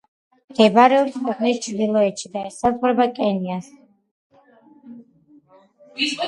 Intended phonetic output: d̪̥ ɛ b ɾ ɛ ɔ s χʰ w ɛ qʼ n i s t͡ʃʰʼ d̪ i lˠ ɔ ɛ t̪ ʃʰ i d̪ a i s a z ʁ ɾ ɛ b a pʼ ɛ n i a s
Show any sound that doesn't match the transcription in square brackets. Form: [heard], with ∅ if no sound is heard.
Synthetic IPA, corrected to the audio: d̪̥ ɛ b ɾ ɛ ɔ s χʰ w ɛ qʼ n i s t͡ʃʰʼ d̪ i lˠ ɔ ɛ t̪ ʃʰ i d̪ a [ɛ] s a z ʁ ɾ ɛ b a [kʼ] ɛ n i a s